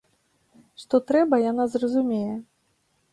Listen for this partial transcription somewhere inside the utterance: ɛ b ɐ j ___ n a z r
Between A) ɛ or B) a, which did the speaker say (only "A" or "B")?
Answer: B